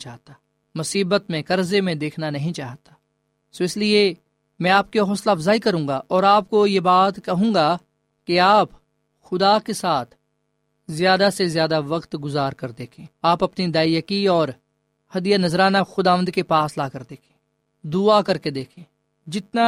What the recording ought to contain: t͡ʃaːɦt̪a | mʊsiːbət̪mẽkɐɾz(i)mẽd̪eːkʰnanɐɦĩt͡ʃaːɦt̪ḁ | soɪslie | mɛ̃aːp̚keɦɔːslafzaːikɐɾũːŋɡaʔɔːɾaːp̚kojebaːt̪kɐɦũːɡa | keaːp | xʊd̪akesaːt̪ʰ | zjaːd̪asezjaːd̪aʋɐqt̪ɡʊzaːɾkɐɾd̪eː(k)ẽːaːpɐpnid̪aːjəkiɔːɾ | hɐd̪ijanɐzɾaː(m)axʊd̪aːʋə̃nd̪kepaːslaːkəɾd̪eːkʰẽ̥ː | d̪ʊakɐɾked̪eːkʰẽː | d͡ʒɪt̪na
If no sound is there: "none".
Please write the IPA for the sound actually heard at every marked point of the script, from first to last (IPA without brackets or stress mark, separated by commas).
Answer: e, kʰ, n